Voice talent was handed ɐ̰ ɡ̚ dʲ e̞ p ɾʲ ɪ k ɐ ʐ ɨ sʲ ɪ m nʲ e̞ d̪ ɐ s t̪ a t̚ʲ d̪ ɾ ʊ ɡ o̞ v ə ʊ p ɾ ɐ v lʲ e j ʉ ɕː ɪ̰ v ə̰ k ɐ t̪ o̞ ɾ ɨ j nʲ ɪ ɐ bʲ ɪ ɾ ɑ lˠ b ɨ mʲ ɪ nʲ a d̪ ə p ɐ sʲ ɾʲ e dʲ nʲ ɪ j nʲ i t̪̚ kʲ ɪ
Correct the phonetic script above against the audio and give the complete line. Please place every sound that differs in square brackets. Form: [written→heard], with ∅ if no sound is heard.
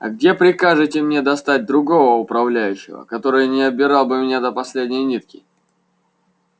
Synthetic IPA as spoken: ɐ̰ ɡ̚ dʲ e̞ p ɾʲ ɪ k [ɐ→a] ʐ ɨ [sʲ→tʲ] ɪ m nʲ e̞ d̪ ɐ s t̪ a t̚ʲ d̪ ɾ ʊ ɡ o̞ v ə ʊ p ɾ ɐ v lʲ [e→æ] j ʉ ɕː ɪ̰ v ə̰ k ɐ t̪ o̞ ɾ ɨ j nʲ ɪ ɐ bʲ ɪ ɾ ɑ lˠ b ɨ mʲ ɪ nʲ a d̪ ə p ɐ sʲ [ɾʲ→lʲ] e dʲ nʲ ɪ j nʲ i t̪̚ kʲ ɪ